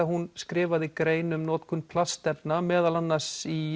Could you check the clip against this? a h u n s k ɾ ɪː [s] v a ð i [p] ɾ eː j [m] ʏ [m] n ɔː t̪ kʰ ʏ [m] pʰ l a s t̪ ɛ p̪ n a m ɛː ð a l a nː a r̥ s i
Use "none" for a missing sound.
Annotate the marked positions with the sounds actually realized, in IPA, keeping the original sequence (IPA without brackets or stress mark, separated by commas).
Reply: none, k, n, m, n